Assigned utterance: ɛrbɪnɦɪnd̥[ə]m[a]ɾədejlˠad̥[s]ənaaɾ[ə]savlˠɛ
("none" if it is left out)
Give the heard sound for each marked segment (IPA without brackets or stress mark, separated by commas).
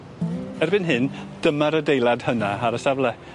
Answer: ə, a, h, ə